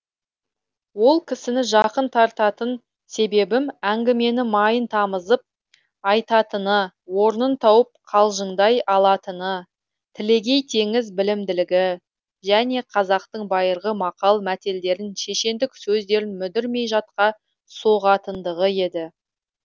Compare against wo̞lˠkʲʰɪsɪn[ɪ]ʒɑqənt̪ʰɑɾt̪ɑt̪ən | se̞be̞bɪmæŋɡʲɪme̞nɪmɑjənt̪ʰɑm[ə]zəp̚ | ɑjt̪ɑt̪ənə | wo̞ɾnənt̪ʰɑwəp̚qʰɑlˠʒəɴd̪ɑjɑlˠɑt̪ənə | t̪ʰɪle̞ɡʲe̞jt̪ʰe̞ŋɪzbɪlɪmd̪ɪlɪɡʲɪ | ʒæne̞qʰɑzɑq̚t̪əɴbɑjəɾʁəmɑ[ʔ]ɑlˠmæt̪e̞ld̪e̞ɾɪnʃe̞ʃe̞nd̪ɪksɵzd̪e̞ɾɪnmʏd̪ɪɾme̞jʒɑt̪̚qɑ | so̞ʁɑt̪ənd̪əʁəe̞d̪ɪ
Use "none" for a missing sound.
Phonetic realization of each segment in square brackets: ɪ, ə, q

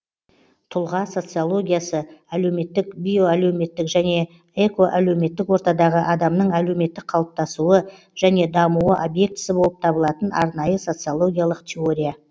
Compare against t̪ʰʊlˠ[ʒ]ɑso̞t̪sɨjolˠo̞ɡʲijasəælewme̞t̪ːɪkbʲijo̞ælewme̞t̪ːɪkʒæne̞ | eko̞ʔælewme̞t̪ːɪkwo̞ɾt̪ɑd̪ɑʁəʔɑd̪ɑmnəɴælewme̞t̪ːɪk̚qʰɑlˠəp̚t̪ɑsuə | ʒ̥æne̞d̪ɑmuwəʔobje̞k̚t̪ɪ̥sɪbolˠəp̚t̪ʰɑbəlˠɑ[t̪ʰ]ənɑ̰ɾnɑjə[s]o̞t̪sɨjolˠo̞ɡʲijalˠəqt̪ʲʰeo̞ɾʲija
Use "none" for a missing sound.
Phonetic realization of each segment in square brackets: ʁ, t̪, s

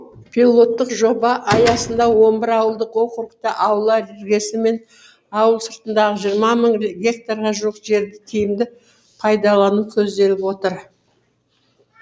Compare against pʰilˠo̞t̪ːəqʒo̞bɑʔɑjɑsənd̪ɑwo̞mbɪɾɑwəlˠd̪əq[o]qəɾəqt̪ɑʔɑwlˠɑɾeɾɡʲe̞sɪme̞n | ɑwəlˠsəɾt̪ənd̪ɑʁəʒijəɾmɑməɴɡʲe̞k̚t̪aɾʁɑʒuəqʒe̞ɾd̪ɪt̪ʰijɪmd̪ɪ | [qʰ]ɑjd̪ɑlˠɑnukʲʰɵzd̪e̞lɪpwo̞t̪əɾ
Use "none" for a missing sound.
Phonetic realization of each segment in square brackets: o, pʰ

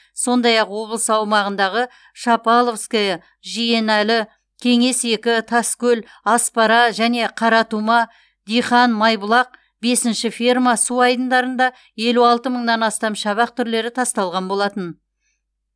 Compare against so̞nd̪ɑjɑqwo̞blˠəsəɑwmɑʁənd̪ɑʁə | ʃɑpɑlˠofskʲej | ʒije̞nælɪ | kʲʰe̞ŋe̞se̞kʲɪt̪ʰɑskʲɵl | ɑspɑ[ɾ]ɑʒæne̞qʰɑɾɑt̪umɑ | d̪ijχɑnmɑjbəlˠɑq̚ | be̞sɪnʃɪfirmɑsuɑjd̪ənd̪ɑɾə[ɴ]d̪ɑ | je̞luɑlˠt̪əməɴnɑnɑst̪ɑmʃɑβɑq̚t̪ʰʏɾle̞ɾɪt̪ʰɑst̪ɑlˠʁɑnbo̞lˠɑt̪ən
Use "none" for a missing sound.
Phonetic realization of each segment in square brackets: ɾ, n

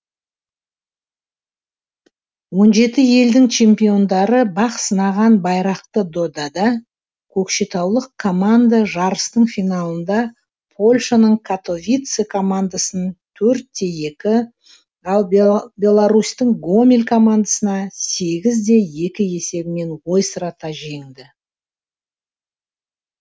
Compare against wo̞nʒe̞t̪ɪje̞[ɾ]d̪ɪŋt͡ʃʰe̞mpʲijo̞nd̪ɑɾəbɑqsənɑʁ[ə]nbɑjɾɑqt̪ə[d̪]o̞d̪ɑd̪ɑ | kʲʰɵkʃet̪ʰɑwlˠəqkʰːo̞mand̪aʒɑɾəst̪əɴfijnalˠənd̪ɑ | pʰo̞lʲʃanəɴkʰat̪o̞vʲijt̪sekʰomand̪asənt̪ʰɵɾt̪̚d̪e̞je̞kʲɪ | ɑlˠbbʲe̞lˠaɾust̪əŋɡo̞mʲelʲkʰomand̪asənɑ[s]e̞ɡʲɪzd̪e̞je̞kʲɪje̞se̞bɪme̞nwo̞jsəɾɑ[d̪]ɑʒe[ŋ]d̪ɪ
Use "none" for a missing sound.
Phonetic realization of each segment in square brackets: l, ɑ, d̪, s, t̪, ŋ

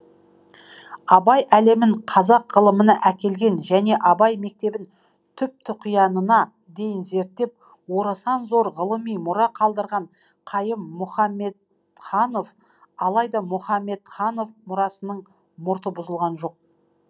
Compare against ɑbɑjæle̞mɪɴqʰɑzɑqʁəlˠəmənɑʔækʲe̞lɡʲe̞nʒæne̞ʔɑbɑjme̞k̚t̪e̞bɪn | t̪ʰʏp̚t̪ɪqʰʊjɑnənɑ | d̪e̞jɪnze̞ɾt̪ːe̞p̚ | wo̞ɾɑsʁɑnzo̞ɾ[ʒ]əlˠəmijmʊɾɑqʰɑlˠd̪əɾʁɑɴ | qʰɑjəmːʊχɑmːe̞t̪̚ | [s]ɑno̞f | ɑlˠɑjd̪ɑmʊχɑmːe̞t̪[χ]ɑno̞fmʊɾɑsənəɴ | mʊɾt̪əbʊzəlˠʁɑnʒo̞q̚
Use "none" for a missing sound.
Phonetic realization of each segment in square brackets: ʁ, χ, χ

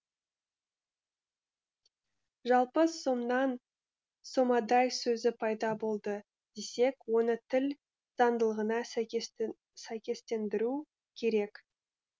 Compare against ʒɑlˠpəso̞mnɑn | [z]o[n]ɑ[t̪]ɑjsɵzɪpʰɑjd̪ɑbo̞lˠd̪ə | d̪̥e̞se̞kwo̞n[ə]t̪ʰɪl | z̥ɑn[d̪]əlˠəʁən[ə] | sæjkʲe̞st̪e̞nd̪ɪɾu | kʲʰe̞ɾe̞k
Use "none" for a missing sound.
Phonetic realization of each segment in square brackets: s, m, d̪, ə, d̪, ɑ

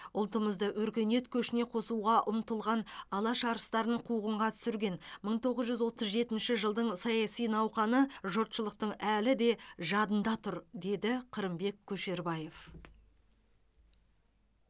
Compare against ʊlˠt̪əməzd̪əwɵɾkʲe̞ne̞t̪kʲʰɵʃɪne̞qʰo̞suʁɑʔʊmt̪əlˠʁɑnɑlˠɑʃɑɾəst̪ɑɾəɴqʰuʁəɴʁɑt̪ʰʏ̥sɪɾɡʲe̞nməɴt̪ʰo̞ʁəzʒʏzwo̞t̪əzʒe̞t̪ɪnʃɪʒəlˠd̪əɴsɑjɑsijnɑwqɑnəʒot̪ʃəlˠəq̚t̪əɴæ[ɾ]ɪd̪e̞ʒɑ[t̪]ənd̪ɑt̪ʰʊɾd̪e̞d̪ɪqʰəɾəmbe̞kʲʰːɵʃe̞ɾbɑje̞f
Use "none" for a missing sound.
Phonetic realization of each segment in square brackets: l, d̪

